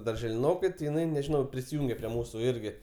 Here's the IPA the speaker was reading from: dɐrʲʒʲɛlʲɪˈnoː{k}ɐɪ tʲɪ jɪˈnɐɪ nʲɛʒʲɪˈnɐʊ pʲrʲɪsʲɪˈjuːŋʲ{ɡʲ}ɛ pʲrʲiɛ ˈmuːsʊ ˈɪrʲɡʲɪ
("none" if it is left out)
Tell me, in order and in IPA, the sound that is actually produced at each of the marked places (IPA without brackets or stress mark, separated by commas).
k, ɡʲ